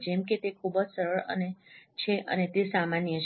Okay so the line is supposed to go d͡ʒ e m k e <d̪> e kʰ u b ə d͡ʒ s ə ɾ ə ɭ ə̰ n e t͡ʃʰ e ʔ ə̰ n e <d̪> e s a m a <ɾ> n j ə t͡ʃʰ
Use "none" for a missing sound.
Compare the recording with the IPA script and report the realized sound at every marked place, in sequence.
t̪, t̪, none

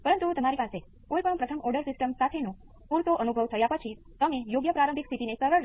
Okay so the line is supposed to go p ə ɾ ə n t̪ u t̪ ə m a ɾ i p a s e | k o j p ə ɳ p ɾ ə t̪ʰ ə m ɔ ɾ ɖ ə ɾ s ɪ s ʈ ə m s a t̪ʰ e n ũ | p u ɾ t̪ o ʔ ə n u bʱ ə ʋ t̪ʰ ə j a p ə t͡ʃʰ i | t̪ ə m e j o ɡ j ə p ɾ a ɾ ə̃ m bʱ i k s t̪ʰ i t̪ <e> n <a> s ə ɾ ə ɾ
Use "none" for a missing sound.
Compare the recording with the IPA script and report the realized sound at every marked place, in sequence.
i, e

